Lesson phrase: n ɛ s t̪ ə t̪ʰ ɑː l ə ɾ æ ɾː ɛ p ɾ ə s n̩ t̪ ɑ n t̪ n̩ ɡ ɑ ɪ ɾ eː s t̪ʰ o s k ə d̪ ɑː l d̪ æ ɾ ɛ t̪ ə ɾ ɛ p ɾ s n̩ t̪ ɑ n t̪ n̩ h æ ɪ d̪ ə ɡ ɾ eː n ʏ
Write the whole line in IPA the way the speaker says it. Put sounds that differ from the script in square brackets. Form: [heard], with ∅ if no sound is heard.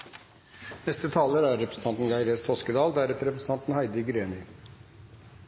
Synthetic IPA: n ɛ s t̪ ə t̪ʰ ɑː l ə ɾ æ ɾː ɛ p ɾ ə s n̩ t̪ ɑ n t̪ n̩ ɡ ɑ ɪ ɾ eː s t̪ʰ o s k ə d̪ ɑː l d̪ æ ɾ ɛ t̪ ə ɾ ɛ p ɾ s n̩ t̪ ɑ n t̪ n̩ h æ ɪ d̪ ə ɡ ɾ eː n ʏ